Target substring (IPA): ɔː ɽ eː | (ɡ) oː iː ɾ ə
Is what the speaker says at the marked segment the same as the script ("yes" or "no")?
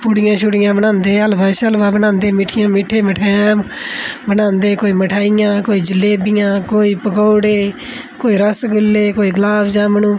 no